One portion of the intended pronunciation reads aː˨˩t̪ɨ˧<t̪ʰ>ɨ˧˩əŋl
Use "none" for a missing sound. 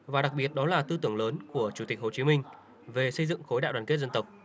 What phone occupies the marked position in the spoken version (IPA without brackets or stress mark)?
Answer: t̪